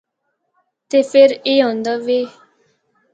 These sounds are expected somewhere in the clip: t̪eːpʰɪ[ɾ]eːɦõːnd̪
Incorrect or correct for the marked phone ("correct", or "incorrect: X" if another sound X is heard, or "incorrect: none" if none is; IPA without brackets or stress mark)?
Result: correct